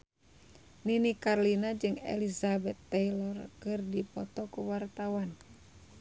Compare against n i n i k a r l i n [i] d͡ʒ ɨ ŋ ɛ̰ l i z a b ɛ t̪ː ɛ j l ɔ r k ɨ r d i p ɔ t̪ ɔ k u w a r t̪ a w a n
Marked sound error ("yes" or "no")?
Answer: yes